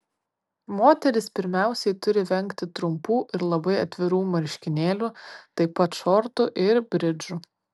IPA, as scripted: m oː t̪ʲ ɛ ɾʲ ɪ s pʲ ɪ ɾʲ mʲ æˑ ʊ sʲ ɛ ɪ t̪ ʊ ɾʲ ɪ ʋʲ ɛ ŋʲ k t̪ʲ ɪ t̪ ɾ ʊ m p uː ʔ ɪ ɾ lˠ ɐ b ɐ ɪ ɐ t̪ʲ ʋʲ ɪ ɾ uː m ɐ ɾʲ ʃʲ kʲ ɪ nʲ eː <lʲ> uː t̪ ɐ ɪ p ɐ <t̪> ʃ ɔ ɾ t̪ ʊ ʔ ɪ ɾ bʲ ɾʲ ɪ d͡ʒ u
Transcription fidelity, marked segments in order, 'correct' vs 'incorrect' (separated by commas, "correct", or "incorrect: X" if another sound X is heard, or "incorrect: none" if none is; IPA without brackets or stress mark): correct, correct